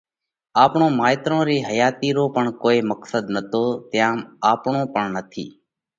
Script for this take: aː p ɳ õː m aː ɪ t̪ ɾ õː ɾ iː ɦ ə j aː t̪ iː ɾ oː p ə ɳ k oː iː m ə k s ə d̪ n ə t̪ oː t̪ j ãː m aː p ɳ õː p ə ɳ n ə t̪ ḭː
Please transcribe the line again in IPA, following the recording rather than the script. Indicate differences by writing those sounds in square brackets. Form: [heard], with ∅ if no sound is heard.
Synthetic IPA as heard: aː p ɳ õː m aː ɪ t̪ ɾ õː ɾ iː ɦ ə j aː t̪ iː ɾ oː p ə ɳ k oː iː m ə k s ə d̪ n ə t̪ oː t̪ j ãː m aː p ɳ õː p ə ɳ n ə [t̪ʰ] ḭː

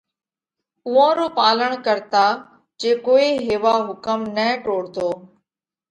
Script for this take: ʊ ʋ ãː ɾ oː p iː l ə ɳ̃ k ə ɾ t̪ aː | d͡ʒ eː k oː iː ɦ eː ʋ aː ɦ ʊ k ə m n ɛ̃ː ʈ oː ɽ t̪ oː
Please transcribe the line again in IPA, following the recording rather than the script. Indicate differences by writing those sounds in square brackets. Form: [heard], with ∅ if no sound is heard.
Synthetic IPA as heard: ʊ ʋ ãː ɾ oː p [aː] l ə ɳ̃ k ə ɾ t̪ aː | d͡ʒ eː k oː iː ɦ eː ʋ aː ɦ ʊ k ə m n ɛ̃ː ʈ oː ɽ t̪ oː

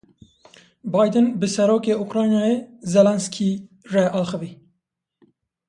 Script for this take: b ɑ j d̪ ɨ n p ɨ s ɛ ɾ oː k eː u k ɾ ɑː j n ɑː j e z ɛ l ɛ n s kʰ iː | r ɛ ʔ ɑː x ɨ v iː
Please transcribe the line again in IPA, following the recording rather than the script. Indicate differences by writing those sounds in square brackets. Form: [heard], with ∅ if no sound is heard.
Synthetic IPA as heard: b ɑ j d̪ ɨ n [b] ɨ s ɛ ɾ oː k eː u k ɾ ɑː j n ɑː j e z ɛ l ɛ n s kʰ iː | r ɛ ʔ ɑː x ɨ v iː

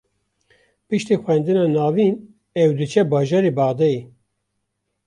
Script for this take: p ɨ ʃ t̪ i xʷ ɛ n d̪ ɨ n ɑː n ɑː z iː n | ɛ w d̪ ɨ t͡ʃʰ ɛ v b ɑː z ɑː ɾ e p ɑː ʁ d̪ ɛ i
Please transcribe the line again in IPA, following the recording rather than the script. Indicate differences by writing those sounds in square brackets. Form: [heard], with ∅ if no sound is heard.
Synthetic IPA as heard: p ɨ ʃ t̪ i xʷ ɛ n d̪ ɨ n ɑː n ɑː [v] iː n | ɛ w d̪ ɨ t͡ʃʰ ɛ [∅] b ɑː [ʒ] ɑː ɾ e [b] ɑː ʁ d̪ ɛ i

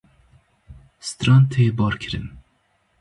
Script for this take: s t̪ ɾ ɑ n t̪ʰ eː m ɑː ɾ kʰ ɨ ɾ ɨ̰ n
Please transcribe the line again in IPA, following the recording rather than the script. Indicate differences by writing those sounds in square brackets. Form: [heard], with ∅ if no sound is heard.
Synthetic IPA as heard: s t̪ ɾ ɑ n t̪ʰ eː [b] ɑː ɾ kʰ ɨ ɾ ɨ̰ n

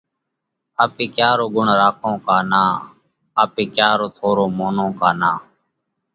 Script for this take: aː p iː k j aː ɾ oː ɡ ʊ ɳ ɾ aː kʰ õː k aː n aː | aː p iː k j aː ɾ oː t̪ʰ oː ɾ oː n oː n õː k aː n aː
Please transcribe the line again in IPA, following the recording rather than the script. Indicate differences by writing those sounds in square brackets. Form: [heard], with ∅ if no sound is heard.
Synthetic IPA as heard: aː p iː k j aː ɾ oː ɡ ʊ ɳ ɾ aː kʰ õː k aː n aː | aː p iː k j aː ɾ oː t̪ʰ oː ɾ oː [m] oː n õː k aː n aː

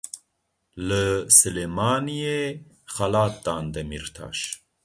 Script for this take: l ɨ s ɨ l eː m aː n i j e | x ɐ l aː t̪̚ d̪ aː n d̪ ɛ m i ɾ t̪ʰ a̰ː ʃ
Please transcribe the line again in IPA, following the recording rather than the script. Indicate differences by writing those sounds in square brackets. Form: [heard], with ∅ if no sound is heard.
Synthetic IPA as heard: l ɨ s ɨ l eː m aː n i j e | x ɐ l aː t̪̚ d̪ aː n d̪ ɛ m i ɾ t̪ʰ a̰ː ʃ

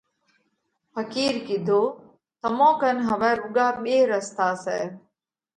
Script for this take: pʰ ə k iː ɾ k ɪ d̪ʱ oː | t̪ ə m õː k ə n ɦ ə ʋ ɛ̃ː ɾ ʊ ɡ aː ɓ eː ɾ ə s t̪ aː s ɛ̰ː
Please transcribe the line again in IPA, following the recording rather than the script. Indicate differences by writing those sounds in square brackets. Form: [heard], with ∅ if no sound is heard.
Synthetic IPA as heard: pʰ ə k iː ɾ k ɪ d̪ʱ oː | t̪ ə m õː k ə n ɦ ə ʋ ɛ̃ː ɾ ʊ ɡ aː ɓ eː ɾ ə s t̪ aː s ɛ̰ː

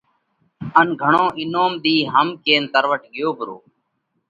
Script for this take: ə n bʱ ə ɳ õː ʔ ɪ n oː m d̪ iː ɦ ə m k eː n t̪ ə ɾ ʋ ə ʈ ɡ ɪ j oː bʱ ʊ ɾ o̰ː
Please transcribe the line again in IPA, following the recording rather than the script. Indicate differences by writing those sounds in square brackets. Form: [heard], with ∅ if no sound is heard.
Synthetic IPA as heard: ə n [ɡʱ] ə ɳ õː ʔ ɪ n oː m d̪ iː ɦ ə m k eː n t̪ ə ɾ ʋ ə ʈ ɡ ɪ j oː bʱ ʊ ɾ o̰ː

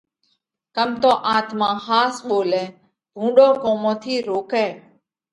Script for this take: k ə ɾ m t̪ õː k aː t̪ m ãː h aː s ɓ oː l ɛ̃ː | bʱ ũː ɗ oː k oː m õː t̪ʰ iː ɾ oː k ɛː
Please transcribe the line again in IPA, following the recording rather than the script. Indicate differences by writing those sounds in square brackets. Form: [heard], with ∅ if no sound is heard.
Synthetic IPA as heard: k ə [∅] m t̪ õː [ʔ] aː t̪ m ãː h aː s ɓ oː l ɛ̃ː | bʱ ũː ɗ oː k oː m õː t̪ʰ iː ɾ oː k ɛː

